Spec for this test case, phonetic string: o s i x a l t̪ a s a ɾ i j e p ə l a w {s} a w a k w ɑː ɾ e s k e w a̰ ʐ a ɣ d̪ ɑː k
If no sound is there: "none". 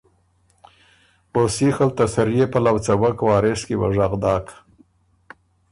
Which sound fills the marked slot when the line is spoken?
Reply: t͡s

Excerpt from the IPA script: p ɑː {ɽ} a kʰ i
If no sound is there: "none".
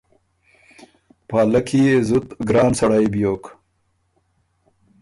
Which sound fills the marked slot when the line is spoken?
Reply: l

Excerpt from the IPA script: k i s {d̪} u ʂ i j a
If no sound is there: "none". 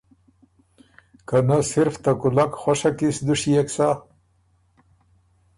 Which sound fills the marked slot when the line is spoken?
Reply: d̪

